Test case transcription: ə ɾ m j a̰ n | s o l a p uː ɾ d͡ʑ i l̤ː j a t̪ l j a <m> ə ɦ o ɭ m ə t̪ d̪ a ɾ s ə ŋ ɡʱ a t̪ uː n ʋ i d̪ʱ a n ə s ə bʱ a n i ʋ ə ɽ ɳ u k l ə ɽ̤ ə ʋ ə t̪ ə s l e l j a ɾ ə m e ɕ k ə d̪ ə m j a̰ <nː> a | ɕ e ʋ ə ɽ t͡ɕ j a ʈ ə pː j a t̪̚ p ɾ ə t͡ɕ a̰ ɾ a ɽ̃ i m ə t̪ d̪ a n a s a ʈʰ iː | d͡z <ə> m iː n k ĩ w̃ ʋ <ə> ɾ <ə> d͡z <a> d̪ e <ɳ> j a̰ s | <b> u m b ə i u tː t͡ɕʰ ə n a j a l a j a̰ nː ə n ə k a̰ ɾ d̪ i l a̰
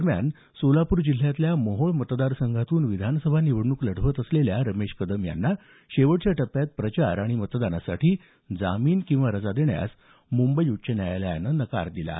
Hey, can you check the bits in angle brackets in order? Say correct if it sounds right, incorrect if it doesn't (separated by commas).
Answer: correct, correct, incorrect, incorrect, correct, correct, correct, incorrect